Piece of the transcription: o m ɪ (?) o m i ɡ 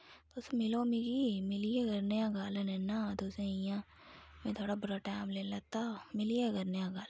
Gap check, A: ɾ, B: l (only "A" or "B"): B